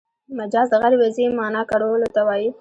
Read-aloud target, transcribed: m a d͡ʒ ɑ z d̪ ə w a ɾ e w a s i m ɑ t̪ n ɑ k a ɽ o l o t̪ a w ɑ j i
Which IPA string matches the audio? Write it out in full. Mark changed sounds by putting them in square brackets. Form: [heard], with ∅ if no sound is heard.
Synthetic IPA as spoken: m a d͡ʒ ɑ z d̪ ə [ɣ] a ɾ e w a [z] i m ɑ [∅] n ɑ k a ɽ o l o t̪ a w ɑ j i